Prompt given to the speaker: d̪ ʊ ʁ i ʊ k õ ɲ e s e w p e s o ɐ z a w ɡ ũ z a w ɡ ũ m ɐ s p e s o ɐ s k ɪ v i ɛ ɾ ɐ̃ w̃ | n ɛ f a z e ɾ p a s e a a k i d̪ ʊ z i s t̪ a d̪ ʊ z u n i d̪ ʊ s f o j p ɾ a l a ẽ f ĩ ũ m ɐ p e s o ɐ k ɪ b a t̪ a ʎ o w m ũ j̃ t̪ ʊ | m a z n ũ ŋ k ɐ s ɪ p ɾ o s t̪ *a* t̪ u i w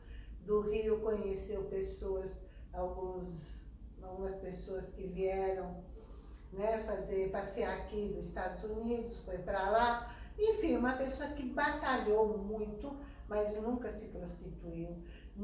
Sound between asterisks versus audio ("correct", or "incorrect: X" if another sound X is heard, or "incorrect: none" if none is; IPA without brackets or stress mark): incorrect: i